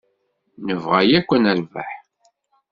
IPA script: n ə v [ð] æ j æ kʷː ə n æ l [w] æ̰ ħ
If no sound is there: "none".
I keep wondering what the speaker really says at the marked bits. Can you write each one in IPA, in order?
ʁ, v

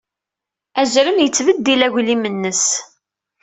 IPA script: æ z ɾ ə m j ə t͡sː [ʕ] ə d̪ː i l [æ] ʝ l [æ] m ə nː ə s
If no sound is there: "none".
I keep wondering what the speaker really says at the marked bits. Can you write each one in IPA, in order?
v, æ, i

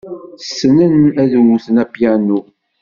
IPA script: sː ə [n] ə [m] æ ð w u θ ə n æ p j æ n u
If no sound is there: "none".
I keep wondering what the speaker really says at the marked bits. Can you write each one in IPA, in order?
n, n

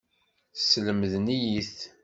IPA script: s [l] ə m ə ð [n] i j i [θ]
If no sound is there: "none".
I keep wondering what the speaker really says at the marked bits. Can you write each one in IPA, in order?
l, n, θ

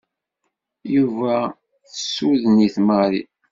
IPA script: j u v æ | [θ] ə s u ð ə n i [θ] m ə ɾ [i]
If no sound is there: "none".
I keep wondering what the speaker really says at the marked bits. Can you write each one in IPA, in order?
θ, θ, i

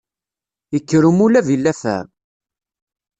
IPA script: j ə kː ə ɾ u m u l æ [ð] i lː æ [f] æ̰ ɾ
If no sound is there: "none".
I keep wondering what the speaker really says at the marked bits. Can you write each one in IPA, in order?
v, f

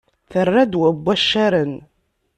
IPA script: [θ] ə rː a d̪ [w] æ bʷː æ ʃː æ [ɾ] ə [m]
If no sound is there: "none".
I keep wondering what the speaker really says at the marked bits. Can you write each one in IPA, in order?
θ, w, ɾ, n

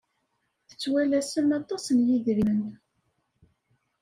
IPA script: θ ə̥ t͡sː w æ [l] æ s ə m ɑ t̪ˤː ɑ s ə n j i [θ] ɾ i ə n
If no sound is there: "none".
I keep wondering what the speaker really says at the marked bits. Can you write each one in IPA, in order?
l, ð

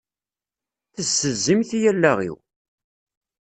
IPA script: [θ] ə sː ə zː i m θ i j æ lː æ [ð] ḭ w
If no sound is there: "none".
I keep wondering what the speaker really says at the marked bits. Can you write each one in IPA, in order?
θ, ʁ

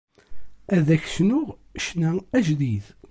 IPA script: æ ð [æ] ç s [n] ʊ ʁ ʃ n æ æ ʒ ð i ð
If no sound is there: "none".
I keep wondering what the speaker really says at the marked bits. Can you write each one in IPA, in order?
æ, n

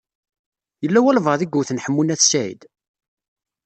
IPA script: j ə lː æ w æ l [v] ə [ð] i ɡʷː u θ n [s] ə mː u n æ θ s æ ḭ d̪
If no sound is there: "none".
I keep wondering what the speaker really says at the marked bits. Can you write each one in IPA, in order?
v, ð, ħ

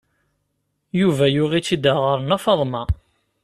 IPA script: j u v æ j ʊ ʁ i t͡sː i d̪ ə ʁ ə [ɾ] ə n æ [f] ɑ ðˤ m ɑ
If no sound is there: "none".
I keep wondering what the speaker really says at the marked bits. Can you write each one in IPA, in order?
ɾ, f

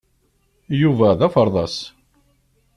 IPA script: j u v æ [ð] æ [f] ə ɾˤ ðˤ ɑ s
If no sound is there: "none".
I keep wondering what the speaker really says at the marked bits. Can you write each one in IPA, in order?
ð, f

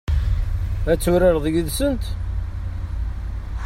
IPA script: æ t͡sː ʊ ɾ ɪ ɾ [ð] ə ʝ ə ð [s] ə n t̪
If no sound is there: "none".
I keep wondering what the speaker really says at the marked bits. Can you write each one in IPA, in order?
ð, s

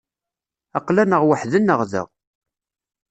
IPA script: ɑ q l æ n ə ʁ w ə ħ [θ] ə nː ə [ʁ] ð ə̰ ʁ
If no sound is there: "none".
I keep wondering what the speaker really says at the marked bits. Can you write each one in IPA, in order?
ð, ʁ

